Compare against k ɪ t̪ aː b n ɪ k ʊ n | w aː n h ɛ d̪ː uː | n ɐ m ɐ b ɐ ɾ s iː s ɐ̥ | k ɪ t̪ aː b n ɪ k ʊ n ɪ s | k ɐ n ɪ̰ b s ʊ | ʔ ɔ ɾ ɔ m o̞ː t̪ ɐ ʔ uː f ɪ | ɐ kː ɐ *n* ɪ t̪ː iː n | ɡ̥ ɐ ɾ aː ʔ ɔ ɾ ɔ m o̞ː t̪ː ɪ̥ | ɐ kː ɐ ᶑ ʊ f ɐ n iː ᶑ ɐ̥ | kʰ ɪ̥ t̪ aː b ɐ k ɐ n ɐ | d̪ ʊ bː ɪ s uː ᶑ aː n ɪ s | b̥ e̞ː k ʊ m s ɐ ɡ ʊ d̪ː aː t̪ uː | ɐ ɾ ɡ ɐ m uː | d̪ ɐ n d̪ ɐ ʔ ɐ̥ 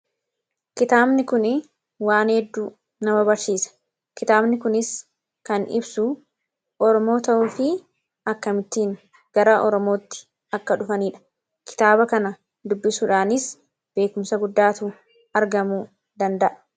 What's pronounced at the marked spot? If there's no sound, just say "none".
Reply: m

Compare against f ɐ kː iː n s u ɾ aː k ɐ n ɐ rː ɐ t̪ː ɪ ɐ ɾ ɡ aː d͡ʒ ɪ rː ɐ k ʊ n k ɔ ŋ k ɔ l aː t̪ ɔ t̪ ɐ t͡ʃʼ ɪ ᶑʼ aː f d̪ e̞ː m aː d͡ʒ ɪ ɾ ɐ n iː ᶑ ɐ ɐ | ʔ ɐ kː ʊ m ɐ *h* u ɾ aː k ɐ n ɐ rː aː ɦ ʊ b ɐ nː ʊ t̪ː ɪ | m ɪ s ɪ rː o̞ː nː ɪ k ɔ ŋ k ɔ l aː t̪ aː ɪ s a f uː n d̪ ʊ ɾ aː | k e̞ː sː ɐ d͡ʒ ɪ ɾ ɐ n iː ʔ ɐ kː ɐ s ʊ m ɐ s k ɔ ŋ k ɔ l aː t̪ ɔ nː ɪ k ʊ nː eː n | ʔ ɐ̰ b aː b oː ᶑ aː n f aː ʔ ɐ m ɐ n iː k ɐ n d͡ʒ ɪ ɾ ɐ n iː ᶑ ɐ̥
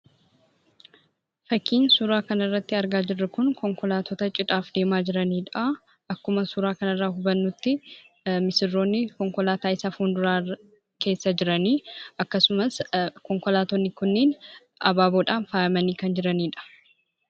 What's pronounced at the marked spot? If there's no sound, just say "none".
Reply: s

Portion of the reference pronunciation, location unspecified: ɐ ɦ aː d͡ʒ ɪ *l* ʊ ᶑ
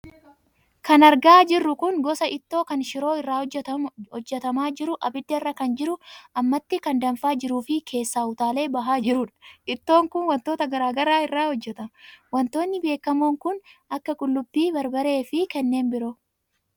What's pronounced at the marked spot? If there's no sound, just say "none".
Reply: ɾ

